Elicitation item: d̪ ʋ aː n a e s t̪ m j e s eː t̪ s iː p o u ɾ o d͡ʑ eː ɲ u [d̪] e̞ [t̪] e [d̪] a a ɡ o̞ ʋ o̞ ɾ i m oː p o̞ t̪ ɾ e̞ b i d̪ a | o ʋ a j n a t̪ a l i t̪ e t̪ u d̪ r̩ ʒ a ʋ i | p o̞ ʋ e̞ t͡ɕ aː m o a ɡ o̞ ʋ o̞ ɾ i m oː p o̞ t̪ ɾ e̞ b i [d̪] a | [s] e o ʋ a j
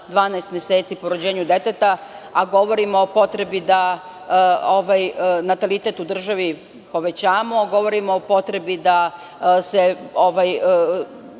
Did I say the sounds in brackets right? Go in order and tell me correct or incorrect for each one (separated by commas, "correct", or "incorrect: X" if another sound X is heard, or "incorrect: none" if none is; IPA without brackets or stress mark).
correct, correct, incorrect: t̪, correct, correct